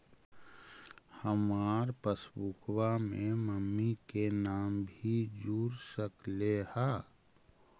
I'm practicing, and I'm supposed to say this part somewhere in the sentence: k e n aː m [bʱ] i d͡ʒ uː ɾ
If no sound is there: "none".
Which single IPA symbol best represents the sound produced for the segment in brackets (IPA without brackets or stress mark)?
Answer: bʱ